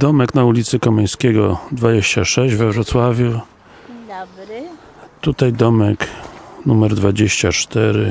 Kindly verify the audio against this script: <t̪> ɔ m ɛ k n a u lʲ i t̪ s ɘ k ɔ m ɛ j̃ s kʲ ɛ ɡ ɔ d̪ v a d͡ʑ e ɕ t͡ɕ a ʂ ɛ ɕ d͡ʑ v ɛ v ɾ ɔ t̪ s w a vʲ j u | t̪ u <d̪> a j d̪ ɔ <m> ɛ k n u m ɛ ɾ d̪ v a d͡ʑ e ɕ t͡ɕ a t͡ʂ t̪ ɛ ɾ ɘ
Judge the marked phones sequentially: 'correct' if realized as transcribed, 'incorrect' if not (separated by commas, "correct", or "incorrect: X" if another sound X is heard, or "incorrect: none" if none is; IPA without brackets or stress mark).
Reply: incorrect: d̪, incorrect: t̪, correct